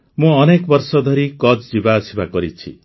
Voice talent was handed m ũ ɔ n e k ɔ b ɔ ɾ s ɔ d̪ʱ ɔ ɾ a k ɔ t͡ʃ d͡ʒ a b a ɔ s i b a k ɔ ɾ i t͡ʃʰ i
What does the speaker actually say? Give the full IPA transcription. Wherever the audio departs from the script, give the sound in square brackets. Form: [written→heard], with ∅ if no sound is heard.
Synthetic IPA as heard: m ũ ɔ n e k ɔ b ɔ ɾ s ɔ d̪ʱ ɔ ɾ [a→i] k ɔ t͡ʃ d͡ʒ [a→i] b a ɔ s i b a k ɔ ɾ i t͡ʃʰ i